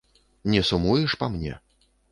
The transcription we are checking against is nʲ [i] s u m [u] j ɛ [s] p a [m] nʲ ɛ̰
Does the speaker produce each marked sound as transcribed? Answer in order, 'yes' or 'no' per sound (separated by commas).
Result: no, yes, no, yes